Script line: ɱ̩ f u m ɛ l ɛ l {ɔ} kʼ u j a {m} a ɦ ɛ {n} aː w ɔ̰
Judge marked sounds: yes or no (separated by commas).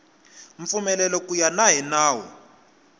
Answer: yes, no, yes